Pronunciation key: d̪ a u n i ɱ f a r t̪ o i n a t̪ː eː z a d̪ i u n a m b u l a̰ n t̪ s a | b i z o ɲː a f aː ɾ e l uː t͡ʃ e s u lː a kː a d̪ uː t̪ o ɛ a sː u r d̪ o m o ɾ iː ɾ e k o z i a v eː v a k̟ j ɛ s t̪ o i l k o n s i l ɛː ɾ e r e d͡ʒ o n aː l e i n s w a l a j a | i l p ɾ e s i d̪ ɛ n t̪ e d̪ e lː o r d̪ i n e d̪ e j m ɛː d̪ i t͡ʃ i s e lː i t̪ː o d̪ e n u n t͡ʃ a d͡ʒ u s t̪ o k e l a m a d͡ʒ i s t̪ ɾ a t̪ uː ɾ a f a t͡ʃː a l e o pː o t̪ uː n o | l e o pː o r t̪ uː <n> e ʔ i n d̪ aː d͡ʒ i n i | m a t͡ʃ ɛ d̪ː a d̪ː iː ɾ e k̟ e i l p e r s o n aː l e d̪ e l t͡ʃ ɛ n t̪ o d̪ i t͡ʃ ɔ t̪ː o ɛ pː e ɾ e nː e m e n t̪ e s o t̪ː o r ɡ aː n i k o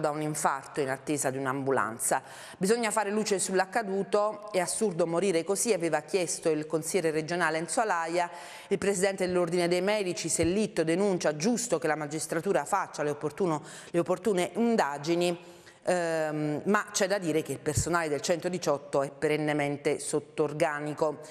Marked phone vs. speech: correct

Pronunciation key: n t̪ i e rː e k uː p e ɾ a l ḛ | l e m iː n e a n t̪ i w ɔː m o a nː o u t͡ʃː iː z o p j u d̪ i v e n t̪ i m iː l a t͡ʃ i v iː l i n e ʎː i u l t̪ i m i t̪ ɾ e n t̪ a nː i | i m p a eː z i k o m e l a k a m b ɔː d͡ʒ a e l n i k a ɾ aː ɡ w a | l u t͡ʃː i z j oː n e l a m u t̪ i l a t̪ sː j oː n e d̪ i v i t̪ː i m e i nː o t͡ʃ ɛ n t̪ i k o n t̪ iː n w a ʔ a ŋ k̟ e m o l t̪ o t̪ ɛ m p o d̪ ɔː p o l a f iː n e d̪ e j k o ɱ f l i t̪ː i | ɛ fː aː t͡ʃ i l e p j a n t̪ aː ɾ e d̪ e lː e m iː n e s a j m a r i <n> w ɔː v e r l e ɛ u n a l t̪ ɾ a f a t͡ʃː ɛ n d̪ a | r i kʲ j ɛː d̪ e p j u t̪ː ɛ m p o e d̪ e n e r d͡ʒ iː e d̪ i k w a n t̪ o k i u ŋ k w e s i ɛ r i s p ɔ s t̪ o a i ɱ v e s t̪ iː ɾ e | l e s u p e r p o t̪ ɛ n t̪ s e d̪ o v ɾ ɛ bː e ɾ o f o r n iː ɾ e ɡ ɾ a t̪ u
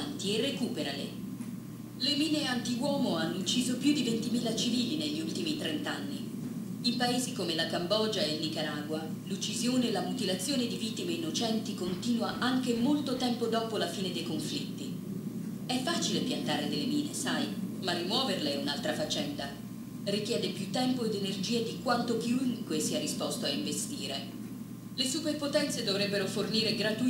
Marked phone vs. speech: incorrect: m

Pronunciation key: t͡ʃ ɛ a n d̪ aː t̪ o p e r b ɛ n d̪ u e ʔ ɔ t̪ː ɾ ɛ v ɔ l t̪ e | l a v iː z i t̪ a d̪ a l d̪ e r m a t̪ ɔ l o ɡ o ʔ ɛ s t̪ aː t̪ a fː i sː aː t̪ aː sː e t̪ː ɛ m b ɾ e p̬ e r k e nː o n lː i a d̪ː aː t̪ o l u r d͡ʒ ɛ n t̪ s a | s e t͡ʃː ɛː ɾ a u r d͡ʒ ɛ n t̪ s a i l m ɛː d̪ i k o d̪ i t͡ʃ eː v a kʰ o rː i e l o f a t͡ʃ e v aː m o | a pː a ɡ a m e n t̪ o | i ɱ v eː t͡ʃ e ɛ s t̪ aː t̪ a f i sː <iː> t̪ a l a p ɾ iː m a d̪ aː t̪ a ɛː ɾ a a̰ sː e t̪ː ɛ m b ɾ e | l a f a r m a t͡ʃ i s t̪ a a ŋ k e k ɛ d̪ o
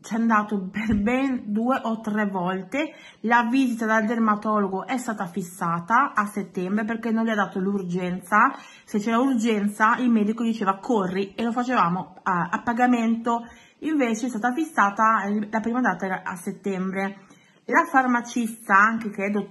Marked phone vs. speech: incorrect: aː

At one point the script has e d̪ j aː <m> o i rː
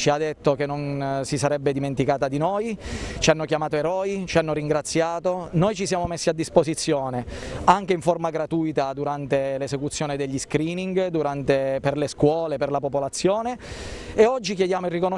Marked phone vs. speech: correct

